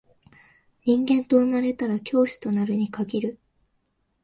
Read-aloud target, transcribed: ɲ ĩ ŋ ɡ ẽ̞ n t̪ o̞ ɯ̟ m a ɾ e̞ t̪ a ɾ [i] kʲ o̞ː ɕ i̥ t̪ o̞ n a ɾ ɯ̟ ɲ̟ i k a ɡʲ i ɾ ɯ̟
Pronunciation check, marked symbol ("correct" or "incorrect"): incorrect